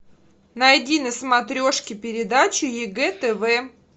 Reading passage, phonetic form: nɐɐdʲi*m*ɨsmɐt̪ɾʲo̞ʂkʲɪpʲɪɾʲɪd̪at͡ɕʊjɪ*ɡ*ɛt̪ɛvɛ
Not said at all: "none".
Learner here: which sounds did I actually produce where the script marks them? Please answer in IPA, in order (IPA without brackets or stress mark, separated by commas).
n, ɡ